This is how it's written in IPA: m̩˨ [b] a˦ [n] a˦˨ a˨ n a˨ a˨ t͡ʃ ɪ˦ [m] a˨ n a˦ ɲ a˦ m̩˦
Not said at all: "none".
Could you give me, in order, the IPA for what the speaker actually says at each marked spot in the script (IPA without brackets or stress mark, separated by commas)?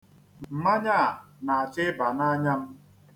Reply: m, ɲ, b